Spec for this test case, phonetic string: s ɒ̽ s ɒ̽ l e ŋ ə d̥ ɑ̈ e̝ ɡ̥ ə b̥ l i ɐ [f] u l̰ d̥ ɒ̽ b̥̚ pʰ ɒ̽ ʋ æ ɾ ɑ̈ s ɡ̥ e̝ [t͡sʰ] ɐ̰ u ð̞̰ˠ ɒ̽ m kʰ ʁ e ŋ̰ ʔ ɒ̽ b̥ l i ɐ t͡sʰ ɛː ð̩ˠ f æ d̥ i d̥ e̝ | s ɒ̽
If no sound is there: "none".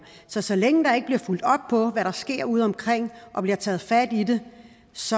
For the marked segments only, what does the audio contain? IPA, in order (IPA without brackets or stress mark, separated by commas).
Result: f, none